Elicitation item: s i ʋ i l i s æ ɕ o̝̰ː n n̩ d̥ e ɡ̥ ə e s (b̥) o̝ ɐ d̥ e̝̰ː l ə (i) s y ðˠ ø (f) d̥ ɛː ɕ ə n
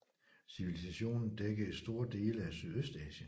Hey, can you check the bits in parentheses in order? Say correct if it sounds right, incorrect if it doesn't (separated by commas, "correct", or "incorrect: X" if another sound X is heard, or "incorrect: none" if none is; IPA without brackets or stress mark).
incorrect: d̥, incorrect: æ, incorrect: s